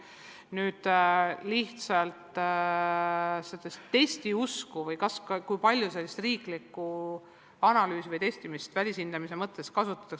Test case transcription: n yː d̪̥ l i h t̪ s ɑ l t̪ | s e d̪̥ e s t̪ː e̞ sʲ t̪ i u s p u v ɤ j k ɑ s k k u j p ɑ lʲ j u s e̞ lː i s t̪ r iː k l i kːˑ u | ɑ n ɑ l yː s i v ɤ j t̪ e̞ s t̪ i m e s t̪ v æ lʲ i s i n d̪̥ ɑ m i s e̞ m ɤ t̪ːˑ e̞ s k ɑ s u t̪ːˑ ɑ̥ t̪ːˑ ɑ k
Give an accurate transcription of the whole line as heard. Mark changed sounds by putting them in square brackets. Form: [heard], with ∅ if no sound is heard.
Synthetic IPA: n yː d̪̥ l i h t̪ s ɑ l t̪ | s e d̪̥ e s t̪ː e̞ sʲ t̪ i u s [k] u v ɤ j k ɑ s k k u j p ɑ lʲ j u s e̞ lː i s t̪ r iː k l i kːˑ u | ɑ n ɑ l yː s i v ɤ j t̪ e̞ s t̪ i m [i] s t̪ v æ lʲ i s i n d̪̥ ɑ m i s e̞ m ɤ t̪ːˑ e̞ s k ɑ s u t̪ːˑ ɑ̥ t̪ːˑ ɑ k